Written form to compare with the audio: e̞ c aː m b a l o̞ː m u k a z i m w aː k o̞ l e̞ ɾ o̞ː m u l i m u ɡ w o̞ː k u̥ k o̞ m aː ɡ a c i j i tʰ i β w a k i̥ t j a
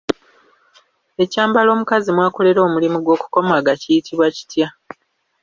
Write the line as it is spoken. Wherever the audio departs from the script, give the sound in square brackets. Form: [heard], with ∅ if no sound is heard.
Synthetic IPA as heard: e̞ c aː m b a l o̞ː m u k a z i m w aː k o̞ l e̞ ɾ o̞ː m u l i m u ɡ w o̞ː k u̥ k o̞ m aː ɡ a c i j i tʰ i β w a [c] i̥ t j a

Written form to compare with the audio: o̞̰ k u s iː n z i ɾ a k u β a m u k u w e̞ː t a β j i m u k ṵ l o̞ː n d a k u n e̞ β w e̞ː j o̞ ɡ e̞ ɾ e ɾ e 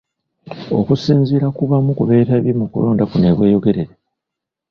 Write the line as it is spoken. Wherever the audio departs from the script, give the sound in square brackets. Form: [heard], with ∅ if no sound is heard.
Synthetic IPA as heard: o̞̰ k u s iː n z i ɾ a k u β a m u k u [β] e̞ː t a β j i m u k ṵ l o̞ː n d a k u n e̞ β w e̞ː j o̞ ɡ e̞ ɾ e ɾ e

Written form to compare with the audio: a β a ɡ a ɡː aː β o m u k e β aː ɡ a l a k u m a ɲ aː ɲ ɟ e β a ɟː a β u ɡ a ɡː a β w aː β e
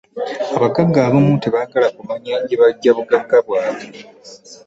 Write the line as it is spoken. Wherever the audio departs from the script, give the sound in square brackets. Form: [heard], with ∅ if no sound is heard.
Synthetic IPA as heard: a β a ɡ a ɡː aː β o m u [t] e β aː ɡ a l a k u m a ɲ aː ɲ ɟ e β a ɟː a β u ɡ a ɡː a β w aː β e

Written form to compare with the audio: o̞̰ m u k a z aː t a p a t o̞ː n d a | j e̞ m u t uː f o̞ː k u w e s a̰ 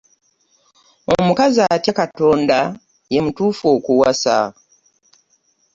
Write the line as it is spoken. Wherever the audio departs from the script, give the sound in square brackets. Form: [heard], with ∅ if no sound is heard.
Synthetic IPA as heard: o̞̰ m u k a z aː t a [k] a t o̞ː n d a | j e̞ m u t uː f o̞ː k u w [a] s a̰

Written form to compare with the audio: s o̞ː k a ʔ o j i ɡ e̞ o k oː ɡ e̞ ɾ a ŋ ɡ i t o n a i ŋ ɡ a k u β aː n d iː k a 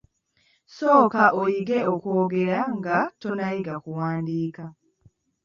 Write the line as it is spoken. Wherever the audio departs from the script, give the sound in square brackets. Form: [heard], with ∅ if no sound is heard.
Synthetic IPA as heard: s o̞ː k a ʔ o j i ɡ e̞ o k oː ɡ e̞ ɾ a ŋ ɡ [a] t o n a i [∅] ɡ a k u [w] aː n d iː k a

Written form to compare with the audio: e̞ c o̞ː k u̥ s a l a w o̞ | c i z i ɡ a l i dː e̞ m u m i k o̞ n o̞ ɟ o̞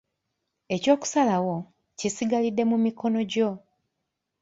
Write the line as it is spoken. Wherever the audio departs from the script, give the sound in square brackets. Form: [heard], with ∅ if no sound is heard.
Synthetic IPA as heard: e̞ c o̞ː k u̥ s a l a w o̞ | c i [s] i ɡ a l i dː e̞ m u m i k o̞ n o̞ ɟ o̞

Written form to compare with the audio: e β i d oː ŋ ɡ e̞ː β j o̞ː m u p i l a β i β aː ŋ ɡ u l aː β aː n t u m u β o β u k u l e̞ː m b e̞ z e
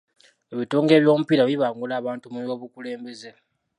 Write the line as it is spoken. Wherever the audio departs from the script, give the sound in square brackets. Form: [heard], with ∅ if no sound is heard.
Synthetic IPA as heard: e β i [t] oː ŋ ɡ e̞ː β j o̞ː m u p i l a β i β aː ŋ ɡ u l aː β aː n t u m u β o β u k u l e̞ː m b e̞ z e

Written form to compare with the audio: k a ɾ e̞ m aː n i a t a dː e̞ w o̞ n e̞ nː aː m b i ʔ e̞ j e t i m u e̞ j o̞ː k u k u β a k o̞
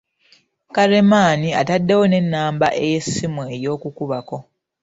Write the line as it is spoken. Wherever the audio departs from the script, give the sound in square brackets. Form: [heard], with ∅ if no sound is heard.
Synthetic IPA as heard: k a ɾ e̞ m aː n i a t a dː e̞ w o̞ n e̞ nː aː m b [a] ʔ e̞ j e [s] i m u e̞ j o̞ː k u k u β a k o̞

